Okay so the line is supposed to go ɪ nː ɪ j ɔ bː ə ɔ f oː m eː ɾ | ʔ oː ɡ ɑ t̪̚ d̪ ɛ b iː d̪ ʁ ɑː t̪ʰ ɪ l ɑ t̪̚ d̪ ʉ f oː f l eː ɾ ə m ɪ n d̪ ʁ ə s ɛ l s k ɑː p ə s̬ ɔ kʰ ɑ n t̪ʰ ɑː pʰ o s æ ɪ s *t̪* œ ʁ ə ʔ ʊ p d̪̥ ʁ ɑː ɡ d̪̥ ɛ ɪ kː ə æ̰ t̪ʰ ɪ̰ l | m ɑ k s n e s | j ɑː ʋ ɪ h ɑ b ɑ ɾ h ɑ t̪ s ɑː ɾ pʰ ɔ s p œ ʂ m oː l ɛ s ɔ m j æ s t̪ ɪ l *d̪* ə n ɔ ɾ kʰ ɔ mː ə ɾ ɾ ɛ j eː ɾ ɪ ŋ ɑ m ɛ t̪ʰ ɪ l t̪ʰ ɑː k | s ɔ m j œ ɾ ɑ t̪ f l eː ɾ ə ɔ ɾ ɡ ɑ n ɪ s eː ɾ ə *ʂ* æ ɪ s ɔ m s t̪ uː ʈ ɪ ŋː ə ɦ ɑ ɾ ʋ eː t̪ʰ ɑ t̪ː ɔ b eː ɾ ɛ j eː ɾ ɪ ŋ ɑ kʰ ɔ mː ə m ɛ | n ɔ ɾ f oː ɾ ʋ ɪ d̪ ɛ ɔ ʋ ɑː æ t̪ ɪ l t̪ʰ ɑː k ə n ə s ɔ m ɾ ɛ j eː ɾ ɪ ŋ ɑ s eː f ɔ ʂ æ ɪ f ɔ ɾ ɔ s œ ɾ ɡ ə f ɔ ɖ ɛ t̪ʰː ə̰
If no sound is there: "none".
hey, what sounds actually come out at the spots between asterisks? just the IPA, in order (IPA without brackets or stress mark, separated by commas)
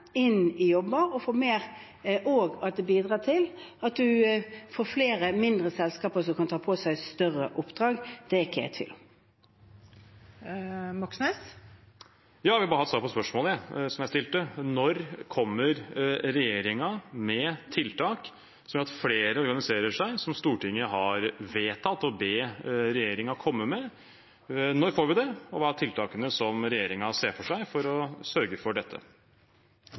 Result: t̪, t̪, ʂ